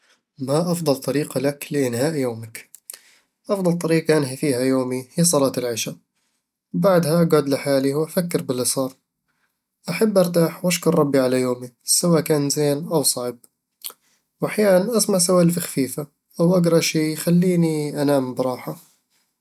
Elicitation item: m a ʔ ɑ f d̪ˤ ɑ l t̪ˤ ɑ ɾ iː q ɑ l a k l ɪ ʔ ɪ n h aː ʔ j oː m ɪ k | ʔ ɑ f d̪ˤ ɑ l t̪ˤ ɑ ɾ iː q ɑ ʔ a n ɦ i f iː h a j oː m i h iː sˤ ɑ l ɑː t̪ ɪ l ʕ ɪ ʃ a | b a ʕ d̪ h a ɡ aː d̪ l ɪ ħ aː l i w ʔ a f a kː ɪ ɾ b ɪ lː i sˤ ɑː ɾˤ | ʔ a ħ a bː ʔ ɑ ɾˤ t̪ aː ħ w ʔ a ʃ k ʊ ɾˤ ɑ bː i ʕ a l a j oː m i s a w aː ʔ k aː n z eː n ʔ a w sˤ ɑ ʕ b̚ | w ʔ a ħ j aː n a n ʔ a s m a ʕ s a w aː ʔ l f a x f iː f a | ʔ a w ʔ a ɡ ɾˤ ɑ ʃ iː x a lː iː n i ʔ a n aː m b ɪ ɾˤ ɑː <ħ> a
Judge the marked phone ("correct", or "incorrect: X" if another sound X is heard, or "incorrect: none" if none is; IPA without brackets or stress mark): correct